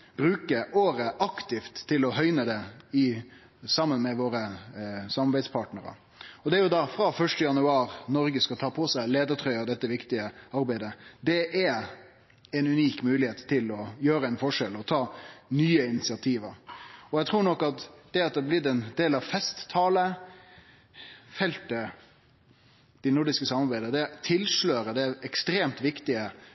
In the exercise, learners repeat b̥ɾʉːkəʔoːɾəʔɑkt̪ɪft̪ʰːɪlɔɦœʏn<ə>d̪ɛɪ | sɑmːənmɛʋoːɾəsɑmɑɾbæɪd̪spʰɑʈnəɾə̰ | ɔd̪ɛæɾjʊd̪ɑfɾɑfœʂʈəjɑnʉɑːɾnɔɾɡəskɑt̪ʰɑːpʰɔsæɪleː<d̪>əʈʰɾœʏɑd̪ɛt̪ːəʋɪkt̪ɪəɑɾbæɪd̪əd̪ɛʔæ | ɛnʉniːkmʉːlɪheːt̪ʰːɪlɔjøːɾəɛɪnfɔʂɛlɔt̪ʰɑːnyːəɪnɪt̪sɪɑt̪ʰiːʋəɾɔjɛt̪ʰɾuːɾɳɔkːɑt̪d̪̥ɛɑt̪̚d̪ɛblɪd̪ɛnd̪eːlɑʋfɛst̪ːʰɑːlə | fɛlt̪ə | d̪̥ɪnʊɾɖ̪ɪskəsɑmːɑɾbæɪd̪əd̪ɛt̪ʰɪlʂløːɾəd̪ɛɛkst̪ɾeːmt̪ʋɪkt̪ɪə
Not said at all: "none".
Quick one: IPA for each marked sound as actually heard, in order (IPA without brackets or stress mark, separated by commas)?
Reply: ə, d̪